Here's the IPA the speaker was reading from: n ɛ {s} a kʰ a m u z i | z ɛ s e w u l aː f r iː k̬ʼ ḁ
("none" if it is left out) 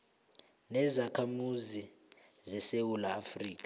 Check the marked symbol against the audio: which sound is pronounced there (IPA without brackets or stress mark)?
z